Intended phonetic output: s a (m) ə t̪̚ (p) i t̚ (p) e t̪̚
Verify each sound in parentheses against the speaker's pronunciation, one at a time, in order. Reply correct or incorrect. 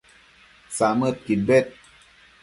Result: correct, incorrect: k, incorrect: b

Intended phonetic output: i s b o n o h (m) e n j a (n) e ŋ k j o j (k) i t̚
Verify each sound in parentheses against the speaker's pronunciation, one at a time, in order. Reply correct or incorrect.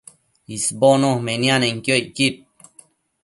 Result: correct, correct, correct

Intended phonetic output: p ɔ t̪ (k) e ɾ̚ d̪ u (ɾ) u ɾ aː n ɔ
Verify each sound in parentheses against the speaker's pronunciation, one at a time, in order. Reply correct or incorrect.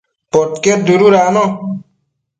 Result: correct, correct

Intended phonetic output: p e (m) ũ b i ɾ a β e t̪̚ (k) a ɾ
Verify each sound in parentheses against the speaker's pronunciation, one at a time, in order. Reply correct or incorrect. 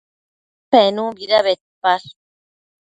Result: incorrect: n, incorrect: p

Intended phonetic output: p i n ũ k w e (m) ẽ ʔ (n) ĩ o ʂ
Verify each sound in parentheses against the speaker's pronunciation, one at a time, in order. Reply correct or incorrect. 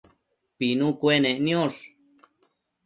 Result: incorrect: n, correct

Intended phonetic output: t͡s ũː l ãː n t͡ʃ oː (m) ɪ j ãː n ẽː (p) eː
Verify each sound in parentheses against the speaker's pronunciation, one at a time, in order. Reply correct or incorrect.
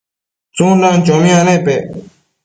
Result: correct, correct

